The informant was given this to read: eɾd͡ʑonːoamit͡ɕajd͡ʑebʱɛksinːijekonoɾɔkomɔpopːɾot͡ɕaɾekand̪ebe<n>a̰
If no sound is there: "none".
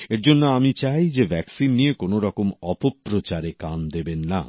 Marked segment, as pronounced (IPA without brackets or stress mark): nː